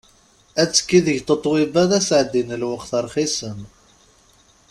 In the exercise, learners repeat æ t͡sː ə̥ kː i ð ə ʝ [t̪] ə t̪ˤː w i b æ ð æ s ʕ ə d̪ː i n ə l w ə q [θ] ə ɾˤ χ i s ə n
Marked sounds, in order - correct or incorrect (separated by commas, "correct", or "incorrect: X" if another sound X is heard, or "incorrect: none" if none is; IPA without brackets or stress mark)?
correct, correct